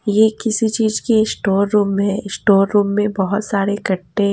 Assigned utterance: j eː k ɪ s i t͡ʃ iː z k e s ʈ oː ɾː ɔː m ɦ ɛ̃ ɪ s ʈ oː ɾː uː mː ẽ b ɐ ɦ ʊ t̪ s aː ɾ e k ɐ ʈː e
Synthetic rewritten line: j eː k ɪ s i t͡ʃ iː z k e s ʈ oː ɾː uː m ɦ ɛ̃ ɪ s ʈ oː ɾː uː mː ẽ b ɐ ɦ ʊ t̪ s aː ɾ e k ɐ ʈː e